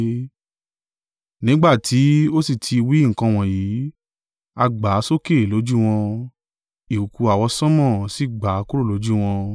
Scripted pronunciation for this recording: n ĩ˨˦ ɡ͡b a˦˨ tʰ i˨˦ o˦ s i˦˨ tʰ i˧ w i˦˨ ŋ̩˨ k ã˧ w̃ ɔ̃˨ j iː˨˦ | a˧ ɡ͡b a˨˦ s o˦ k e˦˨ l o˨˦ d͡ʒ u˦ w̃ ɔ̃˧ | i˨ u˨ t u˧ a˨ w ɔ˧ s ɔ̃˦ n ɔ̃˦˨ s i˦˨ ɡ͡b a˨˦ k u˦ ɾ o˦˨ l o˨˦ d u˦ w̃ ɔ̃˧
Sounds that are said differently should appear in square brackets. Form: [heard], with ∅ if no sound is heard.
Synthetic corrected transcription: n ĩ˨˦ ɡ͡b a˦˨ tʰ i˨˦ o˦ s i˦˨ tʰ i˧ w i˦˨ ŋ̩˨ k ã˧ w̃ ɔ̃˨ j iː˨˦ | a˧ ɡ͡b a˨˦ s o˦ k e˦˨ l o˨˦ d͡ʒ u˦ w̃ ɔ̃˧ | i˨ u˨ [k] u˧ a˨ w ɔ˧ s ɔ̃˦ [m] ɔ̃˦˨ s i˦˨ ɡ͡b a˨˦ k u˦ ɾ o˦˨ l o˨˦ [d͡ʒ] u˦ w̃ ɔ̃˧